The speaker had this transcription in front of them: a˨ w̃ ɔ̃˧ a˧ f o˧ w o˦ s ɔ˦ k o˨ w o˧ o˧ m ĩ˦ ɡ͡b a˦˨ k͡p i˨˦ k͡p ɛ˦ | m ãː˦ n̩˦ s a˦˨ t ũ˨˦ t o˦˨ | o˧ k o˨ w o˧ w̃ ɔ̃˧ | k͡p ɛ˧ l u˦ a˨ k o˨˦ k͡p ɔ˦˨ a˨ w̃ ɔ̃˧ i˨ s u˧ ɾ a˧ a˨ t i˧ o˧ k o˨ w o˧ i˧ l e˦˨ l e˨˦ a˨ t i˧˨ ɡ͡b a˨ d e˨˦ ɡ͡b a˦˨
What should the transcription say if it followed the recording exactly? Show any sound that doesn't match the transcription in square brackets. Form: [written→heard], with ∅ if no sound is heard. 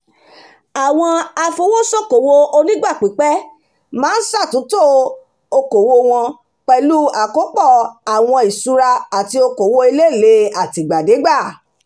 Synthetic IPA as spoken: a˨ w̃ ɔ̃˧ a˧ f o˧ w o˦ s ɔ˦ k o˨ w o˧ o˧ [m→n] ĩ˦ ɡ͡b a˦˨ k͡p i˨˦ k͡p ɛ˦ | m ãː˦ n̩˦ s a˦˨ t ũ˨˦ t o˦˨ | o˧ k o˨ w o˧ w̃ ɔ̃˧ | k͡p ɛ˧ l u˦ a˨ k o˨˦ k͡p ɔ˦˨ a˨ w̃ ɔ̃˧ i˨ s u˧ ɾ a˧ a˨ t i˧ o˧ k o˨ w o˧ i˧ l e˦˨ l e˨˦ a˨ t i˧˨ ɡ͡b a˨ d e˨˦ ɡ͡b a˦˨